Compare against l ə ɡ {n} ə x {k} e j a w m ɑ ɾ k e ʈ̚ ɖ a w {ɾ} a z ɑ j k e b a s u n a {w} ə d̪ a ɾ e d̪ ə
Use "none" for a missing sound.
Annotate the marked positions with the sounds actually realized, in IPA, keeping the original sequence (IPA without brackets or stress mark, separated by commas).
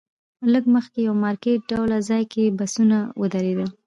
m, k, l, w